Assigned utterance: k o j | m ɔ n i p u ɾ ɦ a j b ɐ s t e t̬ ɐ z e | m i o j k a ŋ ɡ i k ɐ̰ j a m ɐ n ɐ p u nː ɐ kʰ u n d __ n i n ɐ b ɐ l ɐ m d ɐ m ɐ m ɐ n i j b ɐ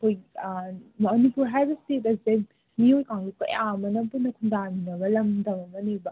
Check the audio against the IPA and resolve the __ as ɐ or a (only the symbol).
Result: a